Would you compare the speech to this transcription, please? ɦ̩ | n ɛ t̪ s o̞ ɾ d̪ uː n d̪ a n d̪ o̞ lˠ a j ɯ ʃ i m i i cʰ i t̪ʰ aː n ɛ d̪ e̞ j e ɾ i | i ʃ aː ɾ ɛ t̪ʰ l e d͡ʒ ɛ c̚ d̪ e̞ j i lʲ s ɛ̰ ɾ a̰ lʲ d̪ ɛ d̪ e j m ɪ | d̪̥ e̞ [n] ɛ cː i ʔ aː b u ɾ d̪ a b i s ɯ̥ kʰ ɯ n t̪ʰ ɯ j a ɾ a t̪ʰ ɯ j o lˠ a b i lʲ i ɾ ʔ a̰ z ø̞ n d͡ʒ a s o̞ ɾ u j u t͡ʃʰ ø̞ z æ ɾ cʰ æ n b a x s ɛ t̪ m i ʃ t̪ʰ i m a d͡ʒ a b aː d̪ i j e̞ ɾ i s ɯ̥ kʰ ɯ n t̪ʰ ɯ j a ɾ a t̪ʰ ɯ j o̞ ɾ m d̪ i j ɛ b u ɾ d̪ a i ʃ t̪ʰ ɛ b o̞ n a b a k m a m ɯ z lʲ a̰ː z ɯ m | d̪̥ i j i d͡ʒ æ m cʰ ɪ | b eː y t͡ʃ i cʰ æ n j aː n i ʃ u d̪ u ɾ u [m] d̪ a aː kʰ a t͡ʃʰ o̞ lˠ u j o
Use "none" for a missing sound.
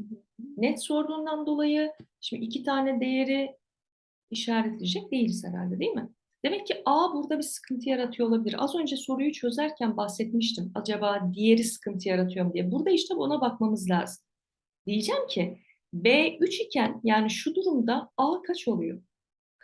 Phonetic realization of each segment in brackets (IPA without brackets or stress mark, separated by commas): m, m